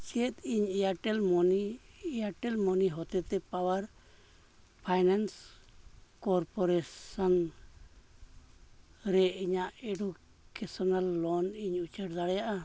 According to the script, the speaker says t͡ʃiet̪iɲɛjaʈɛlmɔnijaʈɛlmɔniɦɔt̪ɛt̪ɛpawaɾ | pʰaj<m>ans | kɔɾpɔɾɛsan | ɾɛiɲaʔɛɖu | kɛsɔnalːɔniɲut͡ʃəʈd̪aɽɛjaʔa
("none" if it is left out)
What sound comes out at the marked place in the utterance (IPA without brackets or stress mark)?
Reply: n